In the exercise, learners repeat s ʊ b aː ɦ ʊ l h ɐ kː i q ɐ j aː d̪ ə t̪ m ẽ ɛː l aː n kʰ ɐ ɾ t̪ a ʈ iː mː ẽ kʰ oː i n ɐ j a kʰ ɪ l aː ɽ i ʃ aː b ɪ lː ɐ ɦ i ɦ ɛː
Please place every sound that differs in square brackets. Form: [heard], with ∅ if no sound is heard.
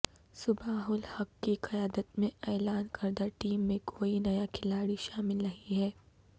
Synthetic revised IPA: s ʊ b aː ɦ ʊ l h ɐ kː i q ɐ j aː d̪ ə t̪ m ẽ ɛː l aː n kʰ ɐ ɾ [d̪] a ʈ iː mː ẽ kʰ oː i n ɐ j a kʰ ɪ l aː ɽ i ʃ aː [m] ɪ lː ɐ ɦ i ɦ ɛː